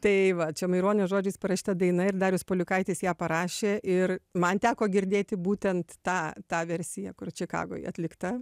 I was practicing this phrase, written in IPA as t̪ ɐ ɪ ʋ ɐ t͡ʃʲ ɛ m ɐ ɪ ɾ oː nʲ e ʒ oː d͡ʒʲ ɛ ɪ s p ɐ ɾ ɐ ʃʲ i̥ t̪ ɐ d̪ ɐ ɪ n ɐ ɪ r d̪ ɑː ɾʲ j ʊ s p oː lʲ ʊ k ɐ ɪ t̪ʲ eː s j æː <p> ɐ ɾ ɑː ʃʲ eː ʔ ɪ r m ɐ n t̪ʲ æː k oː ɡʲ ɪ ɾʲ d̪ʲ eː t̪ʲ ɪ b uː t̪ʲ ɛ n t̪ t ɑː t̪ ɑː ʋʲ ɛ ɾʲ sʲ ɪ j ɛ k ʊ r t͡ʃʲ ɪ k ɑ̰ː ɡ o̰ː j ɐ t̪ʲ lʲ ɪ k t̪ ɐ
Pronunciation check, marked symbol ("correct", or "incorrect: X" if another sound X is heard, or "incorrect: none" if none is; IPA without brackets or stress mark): correct